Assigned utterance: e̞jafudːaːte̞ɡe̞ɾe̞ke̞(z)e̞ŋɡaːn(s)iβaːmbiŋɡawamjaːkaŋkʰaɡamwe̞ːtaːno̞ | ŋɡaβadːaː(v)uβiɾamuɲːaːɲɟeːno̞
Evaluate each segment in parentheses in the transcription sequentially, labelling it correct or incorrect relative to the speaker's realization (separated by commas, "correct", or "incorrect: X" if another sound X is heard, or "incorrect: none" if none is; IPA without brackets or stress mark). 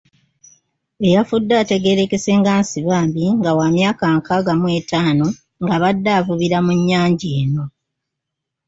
incorrect: s, correct, correct